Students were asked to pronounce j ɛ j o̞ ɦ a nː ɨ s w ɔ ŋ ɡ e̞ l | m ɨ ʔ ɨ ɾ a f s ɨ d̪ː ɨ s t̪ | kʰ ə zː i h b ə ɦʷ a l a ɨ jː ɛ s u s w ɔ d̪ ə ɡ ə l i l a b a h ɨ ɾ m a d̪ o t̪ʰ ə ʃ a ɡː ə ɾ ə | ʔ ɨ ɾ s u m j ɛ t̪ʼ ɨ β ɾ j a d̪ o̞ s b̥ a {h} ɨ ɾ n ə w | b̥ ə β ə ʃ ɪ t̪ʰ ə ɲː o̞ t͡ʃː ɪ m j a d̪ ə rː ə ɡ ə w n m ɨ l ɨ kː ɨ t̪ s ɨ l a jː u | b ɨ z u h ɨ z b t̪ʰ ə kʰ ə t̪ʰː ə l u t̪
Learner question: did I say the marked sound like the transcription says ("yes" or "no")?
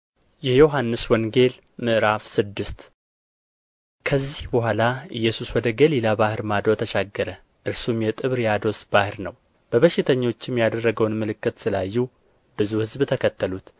yes